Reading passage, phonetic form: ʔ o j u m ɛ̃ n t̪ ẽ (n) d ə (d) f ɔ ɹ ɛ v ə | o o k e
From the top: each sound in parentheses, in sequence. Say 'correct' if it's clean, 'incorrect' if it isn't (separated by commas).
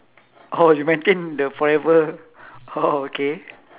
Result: correct, incorrect